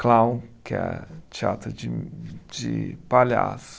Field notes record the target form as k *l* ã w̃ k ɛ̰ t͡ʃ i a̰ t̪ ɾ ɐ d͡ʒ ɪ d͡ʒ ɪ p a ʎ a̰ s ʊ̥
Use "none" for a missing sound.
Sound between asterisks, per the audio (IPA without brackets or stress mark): l